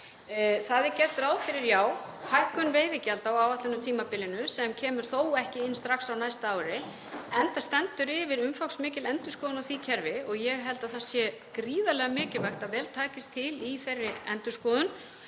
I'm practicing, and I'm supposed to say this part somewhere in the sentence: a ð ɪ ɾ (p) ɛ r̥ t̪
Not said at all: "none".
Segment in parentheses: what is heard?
c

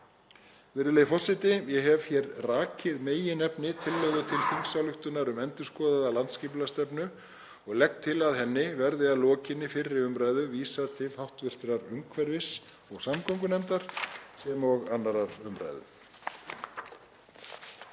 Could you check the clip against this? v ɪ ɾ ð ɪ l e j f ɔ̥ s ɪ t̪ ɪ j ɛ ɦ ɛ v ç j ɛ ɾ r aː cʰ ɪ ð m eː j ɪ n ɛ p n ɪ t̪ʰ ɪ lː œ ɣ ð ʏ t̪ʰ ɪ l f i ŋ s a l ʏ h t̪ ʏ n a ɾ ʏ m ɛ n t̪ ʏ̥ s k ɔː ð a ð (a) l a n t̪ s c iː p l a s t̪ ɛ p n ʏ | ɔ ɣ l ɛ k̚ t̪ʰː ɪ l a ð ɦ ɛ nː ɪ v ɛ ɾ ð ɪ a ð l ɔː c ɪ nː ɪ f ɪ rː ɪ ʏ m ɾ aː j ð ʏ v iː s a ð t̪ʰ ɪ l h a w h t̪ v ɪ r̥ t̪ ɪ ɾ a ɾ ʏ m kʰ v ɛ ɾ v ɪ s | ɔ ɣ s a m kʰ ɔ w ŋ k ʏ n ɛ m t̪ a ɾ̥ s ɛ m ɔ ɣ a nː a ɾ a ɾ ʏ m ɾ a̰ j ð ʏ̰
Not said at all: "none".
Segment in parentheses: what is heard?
a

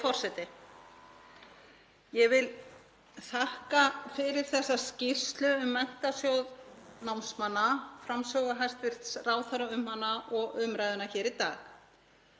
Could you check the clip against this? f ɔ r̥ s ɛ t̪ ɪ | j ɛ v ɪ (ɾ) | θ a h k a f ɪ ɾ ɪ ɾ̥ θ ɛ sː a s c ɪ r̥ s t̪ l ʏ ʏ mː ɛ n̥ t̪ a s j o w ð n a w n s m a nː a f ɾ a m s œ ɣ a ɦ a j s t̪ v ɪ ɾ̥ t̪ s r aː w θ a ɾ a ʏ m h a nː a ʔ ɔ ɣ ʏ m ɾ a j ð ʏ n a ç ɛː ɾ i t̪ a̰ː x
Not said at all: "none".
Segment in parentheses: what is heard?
l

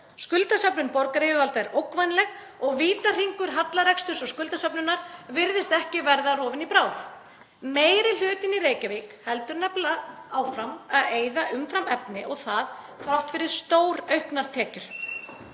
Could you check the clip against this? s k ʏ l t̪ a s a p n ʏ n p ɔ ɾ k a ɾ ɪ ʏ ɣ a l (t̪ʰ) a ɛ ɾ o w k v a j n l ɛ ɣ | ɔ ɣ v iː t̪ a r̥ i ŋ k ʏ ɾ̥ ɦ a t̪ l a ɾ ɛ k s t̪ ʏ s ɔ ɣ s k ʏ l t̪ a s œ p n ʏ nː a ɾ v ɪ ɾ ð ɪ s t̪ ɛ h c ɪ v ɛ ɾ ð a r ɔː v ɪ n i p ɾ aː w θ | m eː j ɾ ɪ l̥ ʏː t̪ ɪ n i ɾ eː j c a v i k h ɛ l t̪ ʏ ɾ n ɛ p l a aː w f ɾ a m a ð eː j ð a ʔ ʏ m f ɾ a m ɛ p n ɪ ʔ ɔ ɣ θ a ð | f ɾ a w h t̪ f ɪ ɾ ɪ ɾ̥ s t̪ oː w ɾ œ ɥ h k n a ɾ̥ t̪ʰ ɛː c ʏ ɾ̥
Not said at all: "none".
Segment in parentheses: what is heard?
t̪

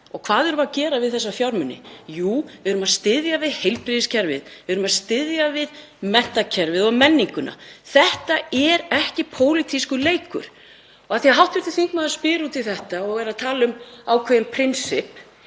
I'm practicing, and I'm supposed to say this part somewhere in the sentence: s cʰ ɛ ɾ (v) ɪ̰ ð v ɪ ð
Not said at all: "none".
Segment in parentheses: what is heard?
v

